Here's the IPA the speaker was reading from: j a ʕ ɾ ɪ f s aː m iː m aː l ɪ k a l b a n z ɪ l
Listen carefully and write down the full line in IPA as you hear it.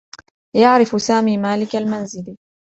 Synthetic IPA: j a ʕ ɾ ɪ f s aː m iː m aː l ɪ k a l m a n z ɪ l